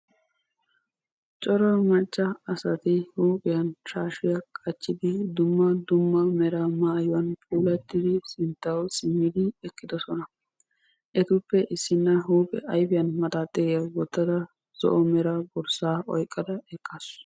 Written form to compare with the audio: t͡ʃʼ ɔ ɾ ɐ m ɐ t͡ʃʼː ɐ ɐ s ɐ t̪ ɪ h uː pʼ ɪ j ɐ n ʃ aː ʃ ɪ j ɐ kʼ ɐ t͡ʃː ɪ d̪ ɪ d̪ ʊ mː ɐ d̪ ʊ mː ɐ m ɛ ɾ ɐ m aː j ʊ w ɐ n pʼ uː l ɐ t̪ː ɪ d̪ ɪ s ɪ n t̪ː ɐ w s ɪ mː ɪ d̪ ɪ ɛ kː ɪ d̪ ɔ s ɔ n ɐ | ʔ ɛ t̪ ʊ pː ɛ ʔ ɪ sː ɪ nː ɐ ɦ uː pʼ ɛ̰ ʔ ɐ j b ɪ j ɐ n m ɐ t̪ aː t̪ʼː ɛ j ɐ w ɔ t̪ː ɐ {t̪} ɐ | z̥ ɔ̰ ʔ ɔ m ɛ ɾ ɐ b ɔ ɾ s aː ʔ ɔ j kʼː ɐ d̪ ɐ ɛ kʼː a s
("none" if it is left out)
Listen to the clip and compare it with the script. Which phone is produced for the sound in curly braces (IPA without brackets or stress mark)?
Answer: d̪